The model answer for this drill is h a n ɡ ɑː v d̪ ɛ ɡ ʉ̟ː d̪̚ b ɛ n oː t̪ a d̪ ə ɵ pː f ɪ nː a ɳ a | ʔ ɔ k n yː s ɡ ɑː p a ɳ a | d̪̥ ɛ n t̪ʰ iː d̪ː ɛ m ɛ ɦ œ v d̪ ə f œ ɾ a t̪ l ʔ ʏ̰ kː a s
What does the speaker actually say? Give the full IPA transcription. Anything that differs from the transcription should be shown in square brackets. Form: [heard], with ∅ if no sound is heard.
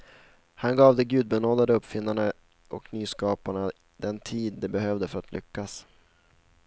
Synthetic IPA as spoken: h a n ɡ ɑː v d̪ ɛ ɡ ʉ̟ː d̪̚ b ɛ n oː [d̪] a d̪ ə ɵ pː f ɪ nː a ɳ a | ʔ ɔ k n yː s [k] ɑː p a ɳ a | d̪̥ ɛ n t̪ʰ iː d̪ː ɛ [b] ɛ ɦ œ v d̪ ə f œ ɾ a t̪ l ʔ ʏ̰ kː a s